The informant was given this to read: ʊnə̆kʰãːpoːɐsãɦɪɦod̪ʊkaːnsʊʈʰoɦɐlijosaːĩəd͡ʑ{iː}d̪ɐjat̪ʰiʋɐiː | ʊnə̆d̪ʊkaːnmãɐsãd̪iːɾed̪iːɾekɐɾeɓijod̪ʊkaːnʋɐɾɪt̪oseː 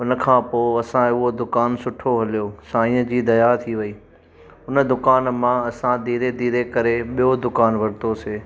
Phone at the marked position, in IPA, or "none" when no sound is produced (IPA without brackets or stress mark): iː